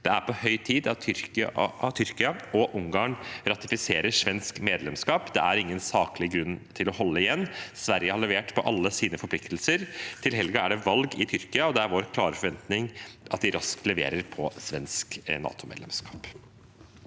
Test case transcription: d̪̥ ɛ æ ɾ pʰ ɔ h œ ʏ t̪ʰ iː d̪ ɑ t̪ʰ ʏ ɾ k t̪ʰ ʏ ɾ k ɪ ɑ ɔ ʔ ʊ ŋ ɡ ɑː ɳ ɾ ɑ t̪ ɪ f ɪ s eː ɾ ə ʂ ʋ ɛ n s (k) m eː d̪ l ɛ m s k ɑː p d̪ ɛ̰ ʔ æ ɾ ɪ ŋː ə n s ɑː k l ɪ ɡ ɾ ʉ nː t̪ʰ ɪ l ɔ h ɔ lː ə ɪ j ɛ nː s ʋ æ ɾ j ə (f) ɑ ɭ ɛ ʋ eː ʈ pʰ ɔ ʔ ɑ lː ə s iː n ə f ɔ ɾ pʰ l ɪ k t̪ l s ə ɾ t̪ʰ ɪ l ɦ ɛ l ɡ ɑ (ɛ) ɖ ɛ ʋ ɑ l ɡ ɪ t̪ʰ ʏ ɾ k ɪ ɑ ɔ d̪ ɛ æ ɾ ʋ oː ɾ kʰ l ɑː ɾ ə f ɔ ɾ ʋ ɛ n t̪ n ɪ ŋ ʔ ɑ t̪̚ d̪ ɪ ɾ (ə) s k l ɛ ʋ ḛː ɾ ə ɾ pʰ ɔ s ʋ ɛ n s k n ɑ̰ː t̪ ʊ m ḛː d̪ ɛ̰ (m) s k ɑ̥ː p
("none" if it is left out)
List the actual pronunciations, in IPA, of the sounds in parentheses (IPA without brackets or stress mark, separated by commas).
k, h, æ, ɑ, m